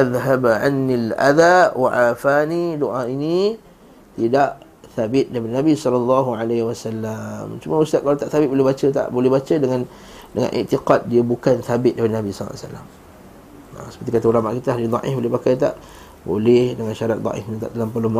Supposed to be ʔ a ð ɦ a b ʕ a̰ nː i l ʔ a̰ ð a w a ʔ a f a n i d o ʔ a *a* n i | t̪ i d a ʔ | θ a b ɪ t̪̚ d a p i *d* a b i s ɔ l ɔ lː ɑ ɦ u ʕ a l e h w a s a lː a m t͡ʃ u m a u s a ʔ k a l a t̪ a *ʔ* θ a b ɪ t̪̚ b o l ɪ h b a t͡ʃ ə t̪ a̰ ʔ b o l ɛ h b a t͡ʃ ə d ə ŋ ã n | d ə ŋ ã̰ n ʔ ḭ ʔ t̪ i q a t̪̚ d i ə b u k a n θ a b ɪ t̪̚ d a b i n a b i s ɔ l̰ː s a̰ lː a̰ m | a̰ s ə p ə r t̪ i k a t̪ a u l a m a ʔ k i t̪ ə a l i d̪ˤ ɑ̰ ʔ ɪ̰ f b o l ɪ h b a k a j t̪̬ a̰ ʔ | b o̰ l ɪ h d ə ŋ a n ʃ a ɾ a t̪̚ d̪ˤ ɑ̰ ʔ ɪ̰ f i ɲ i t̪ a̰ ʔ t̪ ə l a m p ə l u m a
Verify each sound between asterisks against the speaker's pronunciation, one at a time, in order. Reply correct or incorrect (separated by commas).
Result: incorrect, incorrect, correct